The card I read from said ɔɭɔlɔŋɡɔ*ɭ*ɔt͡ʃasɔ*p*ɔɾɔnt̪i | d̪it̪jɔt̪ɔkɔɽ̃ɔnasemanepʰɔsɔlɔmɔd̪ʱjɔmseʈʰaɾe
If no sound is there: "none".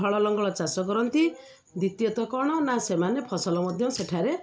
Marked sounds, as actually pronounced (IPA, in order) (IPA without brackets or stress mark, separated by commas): ɭ, k